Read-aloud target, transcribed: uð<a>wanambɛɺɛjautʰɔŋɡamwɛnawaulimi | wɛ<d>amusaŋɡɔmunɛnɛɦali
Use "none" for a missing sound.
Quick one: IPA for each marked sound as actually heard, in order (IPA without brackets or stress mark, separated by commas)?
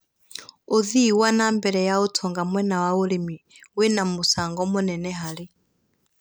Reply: i, n